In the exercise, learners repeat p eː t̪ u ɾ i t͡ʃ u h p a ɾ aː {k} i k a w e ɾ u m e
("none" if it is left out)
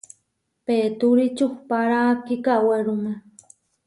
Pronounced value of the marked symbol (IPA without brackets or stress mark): k